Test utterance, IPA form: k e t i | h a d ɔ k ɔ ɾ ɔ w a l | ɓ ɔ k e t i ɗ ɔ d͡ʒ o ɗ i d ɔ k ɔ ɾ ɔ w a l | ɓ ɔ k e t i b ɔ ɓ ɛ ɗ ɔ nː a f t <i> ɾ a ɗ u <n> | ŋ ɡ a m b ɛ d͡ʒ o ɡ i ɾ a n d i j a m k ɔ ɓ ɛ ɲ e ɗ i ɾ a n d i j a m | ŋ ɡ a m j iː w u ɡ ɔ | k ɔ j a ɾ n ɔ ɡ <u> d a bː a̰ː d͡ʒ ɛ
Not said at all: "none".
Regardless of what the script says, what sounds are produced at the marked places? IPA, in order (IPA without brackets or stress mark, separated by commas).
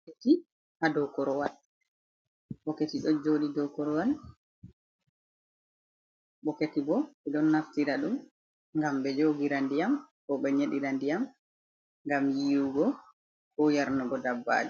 i, m, ɔ